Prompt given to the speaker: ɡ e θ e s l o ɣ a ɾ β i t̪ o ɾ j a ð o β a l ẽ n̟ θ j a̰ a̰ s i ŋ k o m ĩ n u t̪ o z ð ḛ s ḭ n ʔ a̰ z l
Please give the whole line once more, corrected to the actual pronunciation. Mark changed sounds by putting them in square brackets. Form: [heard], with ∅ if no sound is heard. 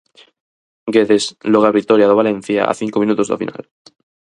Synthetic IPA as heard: ɡ e [ð] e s l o ɣ a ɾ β i t̪ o ɾ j a ð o β a l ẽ n̟ θ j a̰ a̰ [θ] i ŋ k o m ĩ n u t̪ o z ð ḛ [f] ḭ n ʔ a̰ [∅] l